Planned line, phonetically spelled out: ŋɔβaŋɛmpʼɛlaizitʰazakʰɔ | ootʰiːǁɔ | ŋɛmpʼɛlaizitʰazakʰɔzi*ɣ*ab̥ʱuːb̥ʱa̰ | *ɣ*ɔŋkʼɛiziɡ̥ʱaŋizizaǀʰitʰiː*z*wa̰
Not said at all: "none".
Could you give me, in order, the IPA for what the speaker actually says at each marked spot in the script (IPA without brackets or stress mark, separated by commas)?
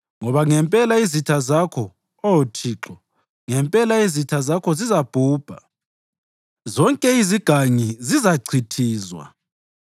z, z, z